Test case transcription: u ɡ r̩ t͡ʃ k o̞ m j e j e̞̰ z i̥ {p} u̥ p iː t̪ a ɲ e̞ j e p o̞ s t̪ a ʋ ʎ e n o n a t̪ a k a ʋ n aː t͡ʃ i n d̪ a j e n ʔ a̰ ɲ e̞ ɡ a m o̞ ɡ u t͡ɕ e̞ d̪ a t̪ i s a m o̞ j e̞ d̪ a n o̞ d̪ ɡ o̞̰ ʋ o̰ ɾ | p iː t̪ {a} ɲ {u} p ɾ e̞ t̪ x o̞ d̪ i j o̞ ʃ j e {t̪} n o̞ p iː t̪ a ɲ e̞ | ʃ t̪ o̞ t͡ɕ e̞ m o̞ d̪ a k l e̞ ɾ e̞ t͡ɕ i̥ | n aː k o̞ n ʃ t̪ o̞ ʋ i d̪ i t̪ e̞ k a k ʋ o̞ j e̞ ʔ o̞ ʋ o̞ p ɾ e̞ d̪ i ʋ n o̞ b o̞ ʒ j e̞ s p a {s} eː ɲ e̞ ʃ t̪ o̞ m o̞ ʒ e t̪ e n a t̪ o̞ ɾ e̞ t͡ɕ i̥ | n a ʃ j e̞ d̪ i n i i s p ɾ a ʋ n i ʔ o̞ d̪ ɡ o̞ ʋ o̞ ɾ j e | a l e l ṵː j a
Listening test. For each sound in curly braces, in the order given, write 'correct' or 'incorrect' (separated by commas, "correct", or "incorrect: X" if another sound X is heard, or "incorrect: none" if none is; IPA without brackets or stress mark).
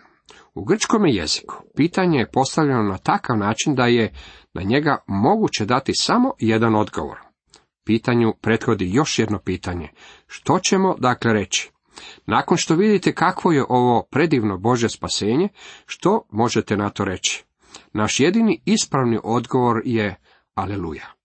incorrect: k, correct, correct, incorrect: d̪, correct